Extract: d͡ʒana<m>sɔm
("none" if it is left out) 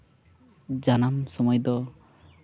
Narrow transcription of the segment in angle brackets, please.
m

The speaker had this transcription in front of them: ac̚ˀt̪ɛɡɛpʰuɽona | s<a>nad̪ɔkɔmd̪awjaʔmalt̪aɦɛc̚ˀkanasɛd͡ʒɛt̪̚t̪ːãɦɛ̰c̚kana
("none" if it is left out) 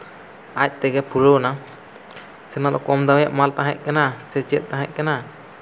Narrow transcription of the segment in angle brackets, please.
ɛ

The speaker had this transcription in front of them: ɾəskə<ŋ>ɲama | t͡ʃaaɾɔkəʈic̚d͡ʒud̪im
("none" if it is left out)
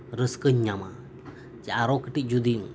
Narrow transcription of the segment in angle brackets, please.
ɲ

